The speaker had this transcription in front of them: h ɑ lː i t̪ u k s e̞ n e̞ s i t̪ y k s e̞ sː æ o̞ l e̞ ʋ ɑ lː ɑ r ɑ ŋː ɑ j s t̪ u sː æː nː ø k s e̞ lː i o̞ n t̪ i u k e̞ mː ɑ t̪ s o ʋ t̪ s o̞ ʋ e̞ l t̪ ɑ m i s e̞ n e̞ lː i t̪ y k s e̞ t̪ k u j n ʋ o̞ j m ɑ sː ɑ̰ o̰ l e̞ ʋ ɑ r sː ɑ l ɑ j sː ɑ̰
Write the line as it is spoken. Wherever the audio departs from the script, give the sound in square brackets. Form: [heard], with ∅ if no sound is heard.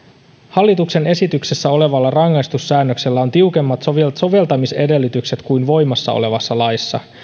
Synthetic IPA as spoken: h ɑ lː i t̪ u k s e̞ n e̞ s i t̪ y k s e̞ sː æ o̞ l e̞ ʋ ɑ lː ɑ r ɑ ŋː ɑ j s t̪ u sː æː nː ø k s e̞ lː [æ] o̞ n t̪ i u k e̞ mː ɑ t̪ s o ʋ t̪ s o̞ ʋ e̞ l t̪ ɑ m i s e̞ [d] e̞ lː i t̪ y k s e̞ t̪ k u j n ʋ o̞ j m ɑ sː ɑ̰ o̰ l e̞ ʋ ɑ [∅] sː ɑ l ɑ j sː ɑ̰

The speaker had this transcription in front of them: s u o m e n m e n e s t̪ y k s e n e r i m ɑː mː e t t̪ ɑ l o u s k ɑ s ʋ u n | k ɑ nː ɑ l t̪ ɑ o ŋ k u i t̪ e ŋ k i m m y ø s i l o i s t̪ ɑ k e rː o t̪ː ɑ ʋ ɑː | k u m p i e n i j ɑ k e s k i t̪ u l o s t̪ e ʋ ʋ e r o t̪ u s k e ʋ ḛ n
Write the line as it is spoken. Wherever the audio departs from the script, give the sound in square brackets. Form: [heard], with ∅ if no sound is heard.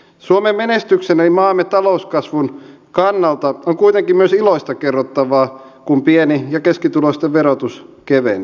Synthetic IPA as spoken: s u o m e [m] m e n e s t̪ y k s e n e [l] i m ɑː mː e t t̪ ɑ l o u s k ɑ s ʋ u n | k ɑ nː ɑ l t̪ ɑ o ŋ k u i t̪ e ŋ k i m m y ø s i l o i s t̪ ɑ k e rː o t̪ː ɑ ʋ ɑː | k u m p i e n i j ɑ k e s k i t̪ u l o s t̪ e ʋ ʋ e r o t̪ u s k e ʋ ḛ n

